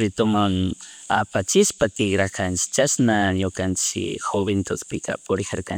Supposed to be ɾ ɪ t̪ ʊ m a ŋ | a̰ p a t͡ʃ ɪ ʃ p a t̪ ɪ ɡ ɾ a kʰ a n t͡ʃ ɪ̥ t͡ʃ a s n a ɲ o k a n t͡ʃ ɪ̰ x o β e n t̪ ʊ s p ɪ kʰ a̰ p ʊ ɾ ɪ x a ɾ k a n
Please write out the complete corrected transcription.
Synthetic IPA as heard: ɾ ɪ t̪ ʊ m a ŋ | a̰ p a t͡ʃ ɪ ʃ p a t̪ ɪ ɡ ɾ a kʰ a n t͡ʃ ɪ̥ t͡ʃ a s n a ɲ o k a n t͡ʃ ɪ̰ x o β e n t̪ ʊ s p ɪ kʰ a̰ p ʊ ɾ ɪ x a ɾ k a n